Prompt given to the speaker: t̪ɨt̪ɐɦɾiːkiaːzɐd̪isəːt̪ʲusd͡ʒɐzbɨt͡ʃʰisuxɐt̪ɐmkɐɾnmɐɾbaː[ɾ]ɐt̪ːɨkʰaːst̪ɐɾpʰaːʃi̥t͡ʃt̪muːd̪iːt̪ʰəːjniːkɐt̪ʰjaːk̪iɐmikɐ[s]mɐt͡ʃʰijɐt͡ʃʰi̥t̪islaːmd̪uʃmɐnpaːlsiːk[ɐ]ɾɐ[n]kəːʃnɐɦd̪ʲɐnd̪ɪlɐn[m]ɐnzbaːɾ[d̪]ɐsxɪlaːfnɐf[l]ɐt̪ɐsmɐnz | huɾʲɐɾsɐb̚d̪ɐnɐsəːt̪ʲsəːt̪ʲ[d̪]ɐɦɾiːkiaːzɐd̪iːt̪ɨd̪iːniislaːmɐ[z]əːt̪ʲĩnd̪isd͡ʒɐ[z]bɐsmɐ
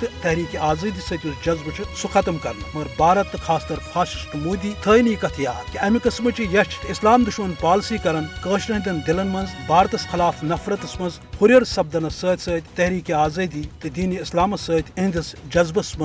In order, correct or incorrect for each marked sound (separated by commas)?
correct, correct, correct, correct, correct, incorrect, incorrect, incorrect, incorrect, correct